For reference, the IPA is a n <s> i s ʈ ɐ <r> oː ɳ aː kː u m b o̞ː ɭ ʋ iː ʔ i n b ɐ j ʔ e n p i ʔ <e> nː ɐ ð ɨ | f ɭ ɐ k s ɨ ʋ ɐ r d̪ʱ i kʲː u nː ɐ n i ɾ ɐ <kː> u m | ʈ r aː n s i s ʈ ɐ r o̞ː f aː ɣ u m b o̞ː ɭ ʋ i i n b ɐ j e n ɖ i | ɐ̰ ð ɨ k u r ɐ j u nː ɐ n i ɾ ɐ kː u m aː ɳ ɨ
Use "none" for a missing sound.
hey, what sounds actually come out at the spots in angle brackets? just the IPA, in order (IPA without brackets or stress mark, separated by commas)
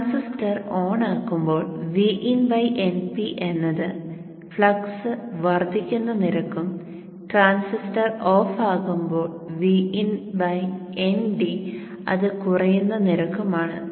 s, r, e, kː